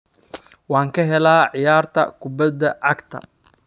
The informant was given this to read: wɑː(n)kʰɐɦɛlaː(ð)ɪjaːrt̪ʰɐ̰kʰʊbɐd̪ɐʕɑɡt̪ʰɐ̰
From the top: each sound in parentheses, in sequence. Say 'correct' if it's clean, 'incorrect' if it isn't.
incorrect: ŋ, incorrect: ʕ

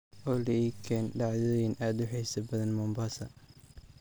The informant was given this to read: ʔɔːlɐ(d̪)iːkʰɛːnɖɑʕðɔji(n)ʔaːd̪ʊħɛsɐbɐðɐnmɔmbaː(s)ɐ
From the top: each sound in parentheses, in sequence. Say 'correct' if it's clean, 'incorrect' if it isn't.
incorrect: none, correct, correct

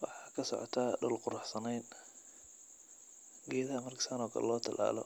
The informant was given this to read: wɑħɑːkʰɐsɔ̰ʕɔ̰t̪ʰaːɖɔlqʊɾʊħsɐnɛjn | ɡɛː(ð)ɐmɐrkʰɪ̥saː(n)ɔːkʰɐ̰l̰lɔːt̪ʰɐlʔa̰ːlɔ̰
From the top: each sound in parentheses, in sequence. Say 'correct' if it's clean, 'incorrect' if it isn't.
correct, correct

